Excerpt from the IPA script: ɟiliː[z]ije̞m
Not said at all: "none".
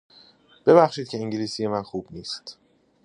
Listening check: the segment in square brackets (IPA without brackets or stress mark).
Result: s